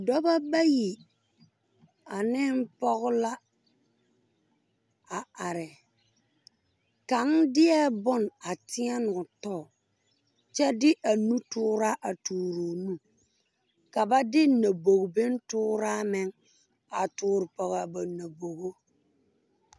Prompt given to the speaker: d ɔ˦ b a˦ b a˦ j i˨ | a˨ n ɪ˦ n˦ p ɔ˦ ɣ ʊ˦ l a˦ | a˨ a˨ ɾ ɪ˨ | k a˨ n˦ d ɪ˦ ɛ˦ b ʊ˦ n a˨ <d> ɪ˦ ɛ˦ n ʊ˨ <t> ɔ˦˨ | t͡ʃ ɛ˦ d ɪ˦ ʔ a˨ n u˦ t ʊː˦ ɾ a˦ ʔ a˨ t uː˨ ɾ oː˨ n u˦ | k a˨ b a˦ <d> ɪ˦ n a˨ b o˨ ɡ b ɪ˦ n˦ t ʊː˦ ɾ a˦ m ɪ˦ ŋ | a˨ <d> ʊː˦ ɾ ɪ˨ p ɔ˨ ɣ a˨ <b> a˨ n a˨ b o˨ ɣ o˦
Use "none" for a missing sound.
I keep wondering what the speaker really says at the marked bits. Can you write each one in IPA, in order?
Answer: t, t, d, t, b

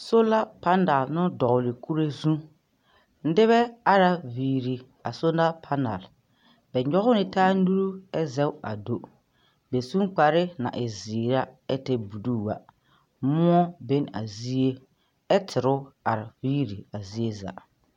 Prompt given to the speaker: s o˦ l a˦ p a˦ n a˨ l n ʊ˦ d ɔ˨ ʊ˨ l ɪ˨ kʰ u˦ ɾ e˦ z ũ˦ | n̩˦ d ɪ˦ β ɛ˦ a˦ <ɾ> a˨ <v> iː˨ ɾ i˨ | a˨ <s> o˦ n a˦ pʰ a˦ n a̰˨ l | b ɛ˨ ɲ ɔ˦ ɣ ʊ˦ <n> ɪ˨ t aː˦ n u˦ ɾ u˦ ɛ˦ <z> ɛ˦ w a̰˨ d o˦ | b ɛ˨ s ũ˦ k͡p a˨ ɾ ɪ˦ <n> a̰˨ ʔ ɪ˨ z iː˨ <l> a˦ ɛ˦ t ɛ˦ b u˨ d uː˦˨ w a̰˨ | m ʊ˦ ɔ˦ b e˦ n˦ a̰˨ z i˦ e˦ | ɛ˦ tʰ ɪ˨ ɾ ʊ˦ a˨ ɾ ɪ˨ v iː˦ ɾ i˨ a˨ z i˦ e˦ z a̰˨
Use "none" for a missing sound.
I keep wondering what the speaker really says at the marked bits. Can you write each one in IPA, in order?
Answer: ɾ, v, s, n, z, n, ɾ

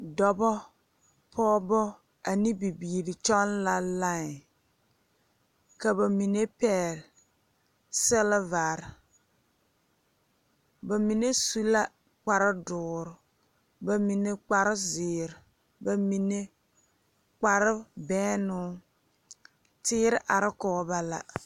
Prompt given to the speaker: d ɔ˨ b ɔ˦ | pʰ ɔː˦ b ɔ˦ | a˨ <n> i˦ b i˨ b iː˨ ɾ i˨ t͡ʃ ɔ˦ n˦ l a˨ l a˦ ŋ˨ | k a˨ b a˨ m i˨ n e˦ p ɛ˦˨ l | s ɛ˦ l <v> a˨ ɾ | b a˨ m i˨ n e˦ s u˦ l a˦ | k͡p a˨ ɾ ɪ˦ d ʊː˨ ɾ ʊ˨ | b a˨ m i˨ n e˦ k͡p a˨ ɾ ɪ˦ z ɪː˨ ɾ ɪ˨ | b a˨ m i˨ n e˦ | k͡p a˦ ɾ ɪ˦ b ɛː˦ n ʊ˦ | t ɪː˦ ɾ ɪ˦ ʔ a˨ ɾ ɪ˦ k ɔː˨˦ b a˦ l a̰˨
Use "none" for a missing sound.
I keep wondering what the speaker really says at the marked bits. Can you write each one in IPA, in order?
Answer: n, v

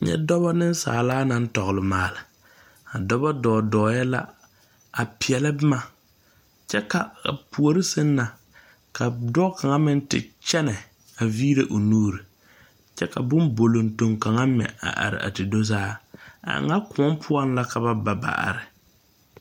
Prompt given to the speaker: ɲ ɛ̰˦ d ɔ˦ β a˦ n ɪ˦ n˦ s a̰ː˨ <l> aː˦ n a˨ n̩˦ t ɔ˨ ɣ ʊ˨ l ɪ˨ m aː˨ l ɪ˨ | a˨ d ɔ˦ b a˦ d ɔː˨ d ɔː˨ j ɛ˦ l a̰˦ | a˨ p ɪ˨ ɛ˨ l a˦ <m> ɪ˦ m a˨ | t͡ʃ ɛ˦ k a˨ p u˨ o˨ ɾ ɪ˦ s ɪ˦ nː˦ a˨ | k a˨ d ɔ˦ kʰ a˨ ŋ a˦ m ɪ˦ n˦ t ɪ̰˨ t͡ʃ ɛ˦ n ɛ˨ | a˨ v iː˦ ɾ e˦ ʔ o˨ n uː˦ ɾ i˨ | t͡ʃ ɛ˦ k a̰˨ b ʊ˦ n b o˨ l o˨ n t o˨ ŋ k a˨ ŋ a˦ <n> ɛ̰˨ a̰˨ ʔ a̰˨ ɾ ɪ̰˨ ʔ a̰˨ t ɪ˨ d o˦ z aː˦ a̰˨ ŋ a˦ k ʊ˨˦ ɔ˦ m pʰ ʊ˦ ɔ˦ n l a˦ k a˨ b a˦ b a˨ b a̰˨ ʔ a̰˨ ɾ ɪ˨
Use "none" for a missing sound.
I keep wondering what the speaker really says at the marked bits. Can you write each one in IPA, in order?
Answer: l, b, m

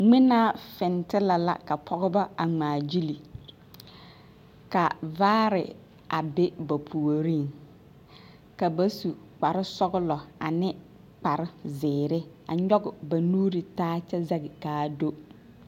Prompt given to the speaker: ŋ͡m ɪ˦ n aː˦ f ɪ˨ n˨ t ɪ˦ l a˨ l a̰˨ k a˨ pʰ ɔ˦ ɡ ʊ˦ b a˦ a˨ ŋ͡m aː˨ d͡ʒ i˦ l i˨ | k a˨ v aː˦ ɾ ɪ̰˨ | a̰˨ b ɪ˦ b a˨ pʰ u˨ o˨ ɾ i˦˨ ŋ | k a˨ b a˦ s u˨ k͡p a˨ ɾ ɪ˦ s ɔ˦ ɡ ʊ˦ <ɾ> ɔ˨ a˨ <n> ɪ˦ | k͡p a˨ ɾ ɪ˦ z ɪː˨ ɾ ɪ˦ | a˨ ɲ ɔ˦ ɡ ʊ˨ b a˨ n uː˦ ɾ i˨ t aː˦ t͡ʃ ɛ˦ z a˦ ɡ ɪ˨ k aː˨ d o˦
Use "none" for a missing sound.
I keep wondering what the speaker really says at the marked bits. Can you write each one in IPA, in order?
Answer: l, n

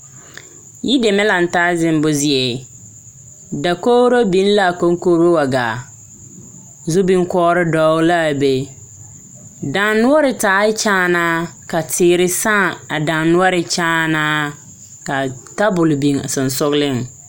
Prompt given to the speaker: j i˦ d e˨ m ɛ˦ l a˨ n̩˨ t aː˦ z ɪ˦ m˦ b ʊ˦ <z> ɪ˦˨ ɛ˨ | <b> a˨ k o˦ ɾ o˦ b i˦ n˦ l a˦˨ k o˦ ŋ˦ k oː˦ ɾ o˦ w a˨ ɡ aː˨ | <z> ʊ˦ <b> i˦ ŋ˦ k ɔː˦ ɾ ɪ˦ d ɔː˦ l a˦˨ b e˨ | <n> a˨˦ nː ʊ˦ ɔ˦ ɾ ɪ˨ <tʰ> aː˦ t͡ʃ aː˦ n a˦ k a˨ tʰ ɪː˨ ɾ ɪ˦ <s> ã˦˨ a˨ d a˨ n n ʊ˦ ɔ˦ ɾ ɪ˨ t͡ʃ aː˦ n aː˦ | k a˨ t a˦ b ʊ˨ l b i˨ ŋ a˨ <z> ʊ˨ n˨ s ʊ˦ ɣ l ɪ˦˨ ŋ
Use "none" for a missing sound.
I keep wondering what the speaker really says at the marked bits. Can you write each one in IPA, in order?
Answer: z, d, z, b, d, t, s, s

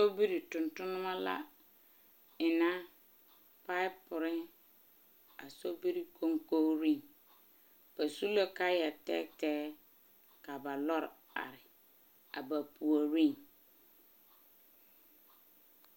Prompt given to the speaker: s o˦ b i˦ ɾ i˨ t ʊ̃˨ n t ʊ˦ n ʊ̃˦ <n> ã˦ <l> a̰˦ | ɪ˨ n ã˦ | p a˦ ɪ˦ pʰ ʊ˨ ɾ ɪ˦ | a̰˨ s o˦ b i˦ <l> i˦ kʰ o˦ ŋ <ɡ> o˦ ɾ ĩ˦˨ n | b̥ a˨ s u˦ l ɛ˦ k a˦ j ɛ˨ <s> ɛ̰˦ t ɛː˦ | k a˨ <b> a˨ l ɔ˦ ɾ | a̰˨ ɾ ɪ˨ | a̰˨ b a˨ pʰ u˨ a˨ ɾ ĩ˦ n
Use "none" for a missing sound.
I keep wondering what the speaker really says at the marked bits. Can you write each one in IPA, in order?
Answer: m, l, ɾ, k, t, b

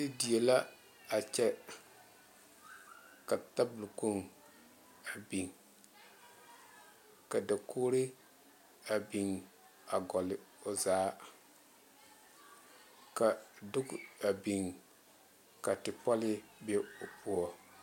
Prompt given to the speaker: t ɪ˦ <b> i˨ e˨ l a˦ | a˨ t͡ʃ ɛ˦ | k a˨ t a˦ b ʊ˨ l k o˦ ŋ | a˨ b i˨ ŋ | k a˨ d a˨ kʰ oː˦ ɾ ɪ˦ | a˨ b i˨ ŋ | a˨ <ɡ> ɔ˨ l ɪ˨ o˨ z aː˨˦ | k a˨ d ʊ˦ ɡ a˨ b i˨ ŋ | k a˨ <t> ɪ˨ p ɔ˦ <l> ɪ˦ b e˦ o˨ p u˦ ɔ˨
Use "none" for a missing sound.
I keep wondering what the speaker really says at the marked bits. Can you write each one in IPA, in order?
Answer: d, ɡ, t, l

